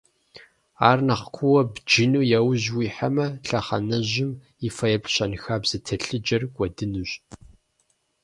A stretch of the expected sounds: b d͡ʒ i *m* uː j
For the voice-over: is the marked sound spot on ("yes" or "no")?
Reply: no